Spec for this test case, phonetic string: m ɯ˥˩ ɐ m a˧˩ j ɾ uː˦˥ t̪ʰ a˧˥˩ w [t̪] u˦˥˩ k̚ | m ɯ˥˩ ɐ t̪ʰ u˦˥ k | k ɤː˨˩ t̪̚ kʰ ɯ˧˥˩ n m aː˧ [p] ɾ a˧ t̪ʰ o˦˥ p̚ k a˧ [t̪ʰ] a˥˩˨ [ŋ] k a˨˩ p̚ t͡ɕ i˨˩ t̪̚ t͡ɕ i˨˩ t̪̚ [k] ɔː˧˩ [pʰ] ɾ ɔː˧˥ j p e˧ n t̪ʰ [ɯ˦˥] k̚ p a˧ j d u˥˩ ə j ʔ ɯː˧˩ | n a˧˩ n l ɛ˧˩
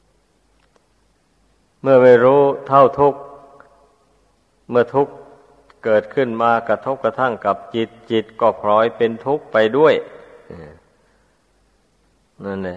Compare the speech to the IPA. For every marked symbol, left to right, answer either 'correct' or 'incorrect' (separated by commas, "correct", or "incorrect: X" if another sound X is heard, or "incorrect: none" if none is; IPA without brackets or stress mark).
incorrect: t̪ʰ, incorrect: k, correct, correct, correct, correct, incorrect: u˦˥